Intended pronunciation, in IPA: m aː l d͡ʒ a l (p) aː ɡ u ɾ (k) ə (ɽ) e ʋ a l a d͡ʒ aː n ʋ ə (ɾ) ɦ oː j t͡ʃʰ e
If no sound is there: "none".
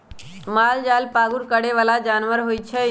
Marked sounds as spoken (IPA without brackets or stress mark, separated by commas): p, k, ɽ, ɾ